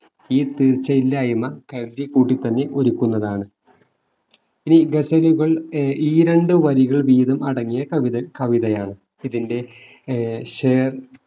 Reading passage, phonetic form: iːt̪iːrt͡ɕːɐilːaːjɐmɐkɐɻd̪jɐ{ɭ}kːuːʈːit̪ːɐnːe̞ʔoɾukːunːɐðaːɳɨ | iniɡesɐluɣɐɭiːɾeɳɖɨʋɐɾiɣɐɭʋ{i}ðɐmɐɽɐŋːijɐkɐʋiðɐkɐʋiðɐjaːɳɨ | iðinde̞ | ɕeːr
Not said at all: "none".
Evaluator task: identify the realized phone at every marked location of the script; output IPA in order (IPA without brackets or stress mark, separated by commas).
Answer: none, iː